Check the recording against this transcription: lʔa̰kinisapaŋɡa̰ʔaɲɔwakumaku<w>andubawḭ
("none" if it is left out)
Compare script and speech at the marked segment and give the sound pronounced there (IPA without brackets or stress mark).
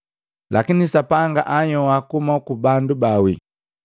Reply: b